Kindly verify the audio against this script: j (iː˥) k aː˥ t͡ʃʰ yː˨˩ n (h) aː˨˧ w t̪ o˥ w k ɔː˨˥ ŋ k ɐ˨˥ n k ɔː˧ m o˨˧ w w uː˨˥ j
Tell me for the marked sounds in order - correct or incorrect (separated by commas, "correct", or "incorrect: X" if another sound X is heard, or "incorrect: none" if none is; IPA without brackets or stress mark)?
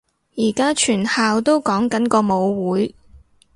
incorrect: iː˨˩, correct